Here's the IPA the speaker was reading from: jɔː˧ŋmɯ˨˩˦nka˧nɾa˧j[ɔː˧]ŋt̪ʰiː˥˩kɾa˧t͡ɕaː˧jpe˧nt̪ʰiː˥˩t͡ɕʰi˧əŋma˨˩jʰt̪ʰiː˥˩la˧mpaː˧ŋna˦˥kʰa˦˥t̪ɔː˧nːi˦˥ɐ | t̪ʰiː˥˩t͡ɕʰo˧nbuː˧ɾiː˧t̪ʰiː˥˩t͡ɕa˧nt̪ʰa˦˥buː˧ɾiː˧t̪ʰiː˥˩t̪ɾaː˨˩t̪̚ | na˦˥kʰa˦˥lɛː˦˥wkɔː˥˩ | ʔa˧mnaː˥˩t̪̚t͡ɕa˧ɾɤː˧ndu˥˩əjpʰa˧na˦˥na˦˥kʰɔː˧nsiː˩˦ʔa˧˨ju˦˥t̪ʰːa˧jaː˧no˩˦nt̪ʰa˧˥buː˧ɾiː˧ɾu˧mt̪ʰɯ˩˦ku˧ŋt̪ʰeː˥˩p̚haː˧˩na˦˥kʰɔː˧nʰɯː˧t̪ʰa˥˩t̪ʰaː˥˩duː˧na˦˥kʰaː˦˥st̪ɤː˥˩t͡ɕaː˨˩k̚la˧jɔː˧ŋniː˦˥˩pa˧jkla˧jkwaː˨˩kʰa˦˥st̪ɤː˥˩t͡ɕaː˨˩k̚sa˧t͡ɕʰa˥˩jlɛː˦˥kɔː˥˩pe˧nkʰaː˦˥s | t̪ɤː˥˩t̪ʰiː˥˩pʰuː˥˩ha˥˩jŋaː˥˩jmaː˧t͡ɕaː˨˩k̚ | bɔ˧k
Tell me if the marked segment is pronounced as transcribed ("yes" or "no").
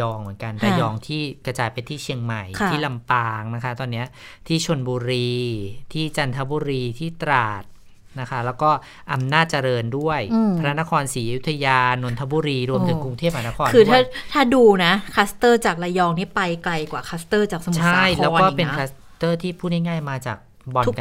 yes